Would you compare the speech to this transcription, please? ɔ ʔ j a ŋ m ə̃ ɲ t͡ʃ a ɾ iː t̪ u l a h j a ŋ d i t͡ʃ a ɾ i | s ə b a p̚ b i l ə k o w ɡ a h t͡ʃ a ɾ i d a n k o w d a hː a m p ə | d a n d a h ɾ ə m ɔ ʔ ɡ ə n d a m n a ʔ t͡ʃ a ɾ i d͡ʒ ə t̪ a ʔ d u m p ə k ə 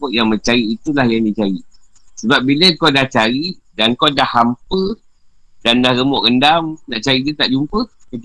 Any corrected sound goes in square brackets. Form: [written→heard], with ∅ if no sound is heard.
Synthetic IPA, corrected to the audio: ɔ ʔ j a ŋ m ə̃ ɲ t͡ʃ a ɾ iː t̪ u l a h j a ŋ d i t͡ʃ a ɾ i | s ə b a p̚ b i l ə k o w [ɡ→d] a h t͡ʃ a ɾ i d a n k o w d a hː a m p ə | d a n d a h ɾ ə m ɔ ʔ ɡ ə n d a m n a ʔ t͡ʃ a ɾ i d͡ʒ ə t̪ a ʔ [d→d͡ʒ] u m p ə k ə